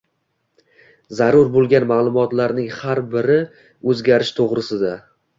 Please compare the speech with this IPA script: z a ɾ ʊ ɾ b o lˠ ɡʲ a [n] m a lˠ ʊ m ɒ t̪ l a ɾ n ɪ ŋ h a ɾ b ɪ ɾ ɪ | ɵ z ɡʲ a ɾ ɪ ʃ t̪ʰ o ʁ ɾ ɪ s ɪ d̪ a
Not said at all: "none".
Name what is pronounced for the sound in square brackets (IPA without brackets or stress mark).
n